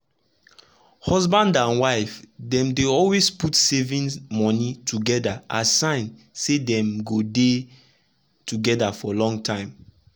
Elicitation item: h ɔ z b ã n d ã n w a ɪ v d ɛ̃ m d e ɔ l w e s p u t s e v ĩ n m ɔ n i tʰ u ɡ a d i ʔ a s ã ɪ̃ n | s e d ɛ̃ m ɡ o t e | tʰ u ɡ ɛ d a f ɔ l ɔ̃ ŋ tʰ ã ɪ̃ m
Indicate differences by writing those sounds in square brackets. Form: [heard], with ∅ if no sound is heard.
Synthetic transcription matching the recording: h ɔ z b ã n d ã n w a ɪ [f] d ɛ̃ m d e ɔ l w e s p u t s e v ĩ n m ɔ n i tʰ u ɡ [ɛ] d [a] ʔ a s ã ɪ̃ n | s e d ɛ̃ m ɡ o [d] e | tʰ u ɡ ɛ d a f ɔ l ɔ̃ ŋ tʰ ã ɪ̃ m